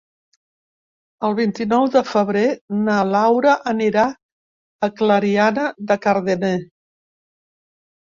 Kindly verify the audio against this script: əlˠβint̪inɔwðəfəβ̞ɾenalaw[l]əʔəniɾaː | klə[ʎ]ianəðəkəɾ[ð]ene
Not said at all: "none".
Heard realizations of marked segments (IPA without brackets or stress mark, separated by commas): ɾ, ɾ, ð